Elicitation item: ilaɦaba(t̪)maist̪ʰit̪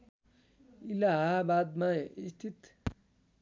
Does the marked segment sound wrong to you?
yes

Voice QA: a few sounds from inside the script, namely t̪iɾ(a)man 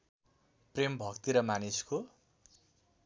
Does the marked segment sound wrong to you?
yes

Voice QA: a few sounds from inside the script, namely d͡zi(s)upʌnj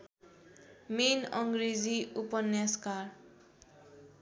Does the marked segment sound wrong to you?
yes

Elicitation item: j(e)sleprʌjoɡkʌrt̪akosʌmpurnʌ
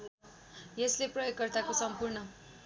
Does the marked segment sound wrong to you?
no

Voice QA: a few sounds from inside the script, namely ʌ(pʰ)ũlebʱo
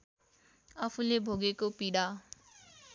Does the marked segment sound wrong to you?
no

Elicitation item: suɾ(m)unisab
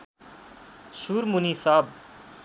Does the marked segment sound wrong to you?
no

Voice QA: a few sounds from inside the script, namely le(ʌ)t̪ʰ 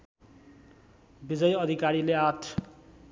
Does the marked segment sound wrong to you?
yes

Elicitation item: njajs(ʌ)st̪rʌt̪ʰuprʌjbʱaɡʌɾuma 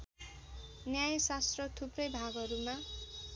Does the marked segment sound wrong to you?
yes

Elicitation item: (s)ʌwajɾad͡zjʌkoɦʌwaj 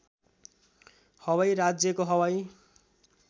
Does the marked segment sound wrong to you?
yes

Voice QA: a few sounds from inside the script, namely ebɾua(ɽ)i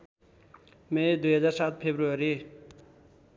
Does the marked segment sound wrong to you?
yes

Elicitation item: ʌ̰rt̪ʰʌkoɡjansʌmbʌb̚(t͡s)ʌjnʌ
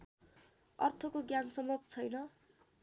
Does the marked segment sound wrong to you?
yes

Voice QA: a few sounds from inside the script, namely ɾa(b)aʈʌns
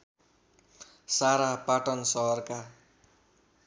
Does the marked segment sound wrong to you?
yes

